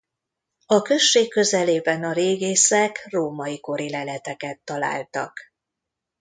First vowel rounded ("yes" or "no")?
yes